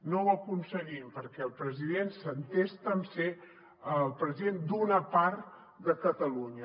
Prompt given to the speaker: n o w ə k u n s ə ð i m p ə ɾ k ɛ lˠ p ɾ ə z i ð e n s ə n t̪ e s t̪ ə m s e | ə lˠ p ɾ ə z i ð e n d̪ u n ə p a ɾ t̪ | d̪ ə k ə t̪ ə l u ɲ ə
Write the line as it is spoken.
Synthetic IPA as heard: n o w ə k u n s ə ɣ i m p ə ɾ k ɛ lˠ p ɾ ə z i ð e n s ə n t̪ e s t̪ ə m s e | ə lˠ p ɾ ə z i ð e n d̪ u n ə p a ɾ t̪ | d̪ ə k ə t̪ ə l u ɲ ə